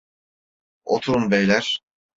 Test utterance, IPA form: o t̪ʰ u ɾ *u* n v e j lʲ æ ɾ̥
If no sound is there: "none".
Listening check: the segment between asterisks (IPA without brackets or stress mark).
u